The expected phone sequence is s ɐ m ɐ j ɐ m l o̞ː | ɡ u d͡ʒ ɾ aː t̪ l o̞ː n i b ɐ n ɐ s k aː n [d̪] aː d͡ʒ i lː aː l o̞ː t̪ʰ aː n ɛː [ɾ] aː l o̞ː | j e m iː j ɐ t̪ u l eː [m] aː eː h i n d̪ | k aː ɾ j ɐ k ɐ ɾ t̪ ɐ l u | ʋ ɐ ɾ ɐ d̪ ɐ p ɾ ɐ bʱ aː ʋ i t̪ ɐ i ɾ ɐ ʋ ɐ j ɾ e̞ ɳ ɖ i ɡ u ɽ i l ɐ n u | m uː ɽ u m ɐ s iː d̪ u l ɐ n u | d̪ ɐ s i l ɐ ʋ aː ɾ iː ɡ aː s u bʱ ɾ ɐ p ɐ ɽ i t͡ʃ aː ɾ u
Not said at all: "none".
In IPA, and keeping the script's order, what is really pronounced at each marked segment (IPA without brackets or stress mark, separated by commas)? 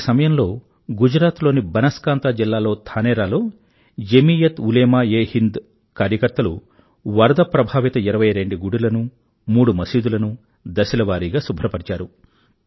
t̪, ɾ, m